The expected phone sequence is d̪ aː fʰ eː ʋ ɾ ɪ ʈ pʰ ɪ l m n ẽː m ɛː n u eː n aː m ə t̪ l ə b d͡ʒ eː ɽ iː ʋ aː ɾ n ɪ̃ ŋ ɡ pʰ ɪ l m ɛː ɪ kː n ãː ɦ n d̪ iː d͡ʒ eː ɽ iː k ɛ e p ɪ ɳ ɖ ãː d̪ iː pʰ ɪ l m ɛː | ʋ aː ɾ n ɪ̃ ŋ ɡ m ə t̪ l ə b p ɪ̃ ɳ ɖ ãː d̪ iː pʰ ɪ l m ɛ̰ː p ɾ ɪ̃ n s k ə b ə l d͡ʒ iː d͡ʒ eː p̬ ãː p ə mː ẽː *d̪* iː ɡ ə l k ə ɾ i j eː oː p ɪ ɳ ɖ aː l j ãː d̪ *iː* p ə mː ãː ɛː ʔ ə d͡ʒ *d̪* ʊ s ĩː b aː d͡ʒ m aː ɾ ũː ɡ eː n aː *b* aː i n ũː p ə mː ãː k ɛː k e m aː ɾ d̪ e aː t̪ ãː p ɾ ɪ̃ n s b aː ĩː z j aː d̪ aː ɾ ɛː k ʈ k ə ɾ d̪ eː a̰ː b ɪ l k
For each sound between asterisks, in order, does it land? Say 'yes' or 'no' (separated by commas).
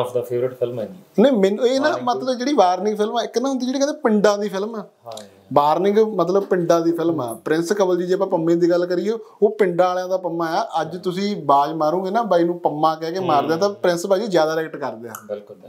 yes, no, no, yes